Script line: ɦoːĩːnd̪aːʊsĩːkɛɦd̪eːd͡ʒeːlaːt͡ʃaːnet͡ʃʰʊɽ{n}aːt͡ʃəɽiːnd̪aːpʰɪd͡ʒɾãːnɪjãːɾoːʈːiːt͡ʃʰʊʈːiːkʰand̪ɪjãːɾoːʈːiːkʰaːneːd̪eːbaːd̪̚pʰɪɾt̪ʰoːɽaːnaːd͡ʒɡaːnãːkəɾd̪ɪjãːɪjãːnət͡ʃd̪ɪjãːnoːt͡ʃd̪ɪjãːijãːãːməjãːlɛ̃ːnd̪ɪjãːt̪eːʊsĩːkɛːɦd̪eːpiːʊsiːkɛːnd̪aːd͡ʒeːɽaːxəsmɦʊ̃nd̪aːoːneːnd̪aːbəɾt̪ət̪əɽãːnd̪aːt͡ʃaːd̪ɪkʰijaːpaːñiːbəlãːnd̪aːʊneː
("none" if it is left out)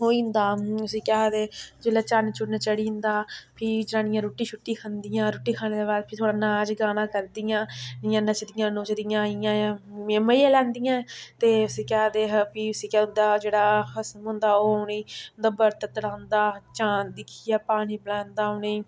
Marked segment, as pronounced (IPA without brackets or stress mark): n